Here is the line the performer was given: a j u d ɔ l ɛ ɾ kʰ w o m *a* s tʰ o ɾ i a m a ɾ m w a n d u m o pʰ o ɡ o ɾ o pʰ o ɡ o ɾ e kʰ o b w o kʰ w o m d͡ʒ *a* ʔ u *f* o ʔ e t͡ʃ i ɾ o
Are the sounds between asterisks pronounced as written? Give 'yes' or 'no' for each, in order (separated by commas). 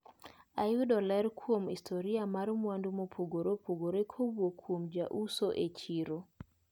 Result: no, yes, no